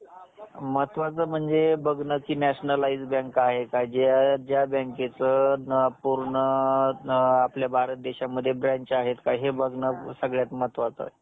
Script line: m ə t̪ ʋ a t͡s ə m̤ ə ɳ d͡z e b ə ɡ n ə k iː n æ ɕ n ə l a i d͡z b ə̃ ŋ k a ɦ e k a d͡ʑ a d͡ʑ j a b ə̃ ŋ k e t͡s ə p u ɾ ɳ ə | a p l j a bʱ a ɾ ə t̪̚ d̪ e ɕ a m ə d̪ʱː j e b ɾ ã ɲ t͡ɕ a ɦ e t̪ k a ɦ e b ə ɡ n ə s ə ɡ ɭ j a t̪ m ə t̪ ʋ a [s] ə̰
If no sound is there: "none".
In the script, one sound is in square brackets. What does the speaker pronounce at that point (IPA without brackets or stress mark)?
t͡s